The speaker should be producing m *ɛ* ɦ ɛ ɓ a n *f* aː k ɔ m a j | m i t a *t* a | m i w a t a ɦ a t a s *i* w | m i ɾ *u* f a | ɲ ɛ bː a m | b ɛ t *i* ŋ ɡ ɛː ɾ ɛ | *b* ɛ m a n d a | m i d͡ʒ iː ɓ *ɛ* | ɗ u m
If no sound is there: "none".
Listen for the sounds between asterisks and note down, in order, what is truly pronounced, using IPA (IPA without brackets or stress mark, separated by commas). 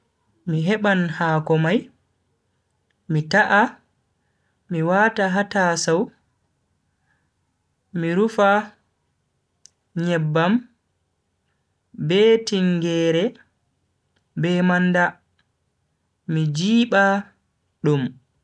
i, h, ʔ, a, u, i, b, a